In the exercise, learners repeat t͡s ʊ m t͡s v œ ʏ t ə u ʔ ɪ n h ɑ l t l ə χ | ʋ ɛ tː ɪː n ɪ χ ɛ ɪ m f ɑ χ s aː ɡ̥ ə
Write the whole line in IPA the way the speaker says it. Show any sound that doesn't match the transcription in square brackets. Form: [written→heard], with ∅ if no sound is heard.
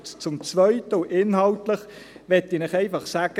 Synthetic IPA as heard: t͡s ʊ m t͡s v œ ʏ t ə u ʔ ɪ n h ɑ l t l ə χ | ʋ ɛ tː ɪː n ɪ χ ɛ ɪ [m→∅] f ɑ χ s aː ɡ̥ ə